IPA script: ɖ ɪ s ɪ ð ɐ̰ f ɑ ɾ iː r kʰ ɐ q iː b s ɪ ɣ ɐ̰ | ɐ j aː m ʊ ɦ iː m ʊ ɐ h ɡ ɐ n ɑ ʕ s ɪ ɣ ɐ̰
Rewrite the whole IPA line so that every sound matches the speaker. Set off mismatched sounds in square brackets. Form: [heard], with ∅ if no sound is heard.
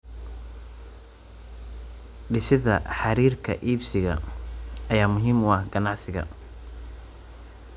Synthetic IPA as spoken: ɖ ɪ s ɪ ð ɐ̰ [ħ] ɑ ɾ iː r kʰ ɐ [ʔ] iː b s ɪ ɣ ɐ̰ | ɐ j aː m ʊ ɦ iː m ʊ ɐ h ɡ ɐ n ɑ ʕ s ɪ ɣ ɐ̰